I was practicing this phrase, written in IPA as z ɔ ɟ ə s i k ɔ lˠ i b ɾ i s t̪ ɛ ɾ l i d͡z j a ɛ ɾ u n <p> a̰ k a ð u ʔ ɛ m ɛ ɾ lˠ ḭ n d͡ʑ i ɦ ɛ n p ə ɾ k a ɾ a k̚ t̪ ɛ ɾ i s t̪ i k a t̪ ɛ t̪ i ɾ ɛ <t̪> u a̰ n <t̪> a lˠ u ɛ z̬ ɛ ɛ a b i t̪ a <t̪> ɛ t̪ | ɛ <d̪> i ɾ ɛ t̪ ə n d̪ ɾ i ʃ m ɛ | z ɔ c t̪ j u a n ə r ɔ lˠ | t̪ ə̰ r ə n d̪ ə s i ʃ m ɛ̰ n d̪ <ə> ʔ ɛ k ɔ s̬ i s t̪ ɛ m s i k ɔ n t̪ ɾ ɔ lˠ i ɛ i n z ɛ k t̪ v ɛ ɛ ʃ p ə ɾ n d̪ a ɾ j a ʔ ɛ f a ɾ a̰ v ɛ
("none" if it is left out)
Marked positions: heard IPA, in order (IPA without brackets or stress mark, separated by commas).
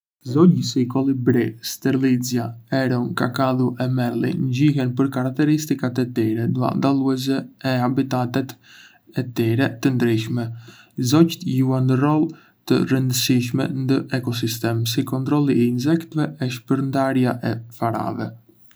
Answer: k, d̪, d̪, t̪, t̪, ə